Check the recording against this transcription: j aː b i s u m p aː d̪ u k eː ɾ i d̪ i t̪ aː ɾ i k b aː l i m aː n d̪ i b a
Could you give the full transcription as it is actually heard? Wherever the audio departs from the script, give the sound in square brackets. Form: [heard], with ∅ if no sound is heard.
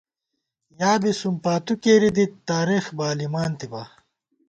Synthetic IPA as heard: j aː b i s u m p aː [t̪] u k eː ɾ i d̪ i t̪ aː ɾ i [x] b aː l i m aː n [t̪] i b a